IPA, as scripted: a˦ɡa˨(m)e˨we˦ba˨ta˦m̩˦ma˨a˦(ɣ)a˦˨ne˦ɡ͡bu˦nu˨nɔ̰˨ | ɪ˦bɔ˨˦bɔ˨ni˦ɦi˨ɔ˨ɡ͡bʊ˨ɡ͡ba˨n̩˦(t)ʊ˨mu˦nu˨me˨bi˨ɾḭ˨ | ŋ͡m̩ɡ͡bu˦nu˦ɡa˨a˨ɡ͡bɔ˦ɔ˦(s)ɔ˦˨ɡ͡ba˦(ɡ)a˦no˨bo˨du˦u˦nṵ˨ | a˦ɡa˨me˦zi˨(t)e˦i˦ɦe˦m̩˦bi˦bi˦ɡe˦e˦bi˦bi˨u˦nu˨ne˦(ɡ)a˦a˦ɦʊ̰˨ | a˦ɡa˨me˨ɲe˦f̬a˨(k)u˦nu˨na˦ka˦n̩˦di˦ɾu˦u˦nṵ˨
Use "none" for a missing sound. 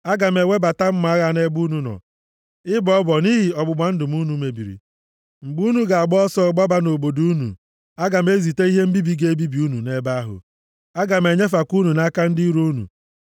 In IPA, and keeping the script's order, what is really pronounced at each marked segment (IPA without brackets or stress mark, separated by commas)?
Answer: m, ɣ, d, s, b, t, b, k